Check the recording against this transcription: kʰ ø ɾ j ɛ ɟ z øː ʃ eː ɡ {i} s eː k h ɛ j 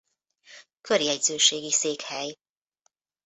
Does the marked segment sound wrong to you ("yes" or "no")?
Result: no